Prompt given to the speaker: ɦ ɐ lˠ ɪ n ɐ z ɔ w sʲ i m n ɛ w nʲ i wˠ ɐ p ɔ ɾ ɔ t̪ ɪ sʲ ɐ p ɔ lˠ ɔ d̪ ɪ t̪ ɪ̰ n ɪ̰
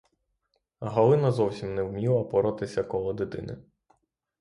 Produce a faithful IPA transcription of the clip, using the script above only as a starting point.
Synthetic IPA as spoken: ɦ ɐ lˠ ɪ n ɐ z ɔ w sʲ i m n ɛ w mʲ i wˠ ɐ p ɔ ɾ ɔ t̪ ɪ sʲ ɐ k ɔ lˠ ɔ d̪ ɪ t̪ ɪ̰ n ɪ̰